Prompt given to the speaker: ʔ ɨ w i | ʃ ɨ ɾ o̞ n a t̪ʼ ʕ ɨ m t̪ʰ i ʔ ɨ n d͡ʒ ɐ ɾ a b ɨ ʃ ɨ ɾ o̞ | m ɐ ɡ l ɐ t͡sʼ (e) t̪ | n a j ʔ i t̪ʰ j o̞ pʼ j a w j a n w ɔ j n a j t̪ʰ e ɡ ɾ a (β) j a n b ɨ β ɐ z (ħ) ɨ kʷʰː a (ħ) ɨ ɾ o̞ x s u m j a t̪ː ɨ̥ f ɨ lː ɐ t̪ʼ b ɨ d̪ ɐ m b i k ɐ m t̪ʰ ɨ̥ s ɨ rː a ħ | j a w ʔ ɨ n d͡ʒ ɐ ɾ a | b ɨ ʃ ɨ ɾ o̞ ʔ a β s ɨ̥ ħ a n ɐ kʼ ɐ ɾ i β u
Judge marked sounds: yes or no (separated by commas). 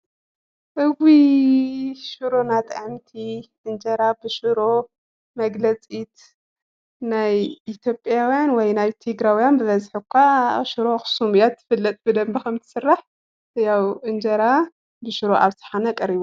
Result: no, no, yes, no